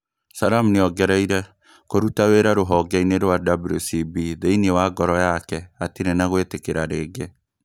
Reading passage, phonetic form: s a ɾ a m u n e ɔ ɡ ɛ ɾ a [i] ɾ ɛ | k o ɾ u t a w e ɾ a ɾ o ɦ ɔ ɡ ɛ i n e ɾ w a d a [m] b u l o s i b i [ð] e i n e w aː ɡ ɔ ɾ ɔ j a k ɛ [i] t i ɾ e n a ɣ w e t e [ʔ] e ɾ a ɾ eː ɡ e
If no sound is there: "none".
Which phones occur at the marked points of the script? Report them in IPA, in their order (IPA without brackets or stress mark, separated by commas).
i, none, ð, a, k